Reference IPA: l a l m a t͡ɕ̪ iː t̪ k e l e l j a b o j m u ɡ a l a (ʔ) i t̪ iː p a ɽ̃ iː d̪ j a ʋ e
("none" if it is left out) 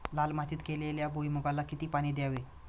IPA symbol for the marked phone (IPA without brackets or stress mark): k